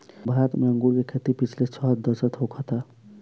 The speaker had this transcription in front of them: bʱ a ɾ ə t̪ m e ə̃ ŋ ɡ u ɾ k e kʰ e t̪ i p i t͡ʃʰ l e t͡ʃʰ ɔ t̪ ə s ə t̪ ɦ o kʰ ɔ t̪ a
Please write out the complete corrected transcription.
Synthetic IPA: bʱ a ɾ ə t̪ m e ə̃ ŋ ɡ u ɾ k e kʰ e t̪ i p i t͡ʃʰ l e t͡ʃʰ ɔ d̪ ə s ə t̪ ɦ o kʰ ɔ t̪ a